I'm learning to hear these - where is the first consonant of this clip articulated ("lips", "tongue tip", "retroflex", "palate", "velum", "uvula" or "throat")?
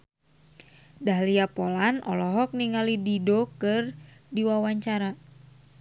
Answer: tongue tip